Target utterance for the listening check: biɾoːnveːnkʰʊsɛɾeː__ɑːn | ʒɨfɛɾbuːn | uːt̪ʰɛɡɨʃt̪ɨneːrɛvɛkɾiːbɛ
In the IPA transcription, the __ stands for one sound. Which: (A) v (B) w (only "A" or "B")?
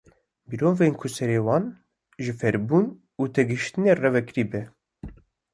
B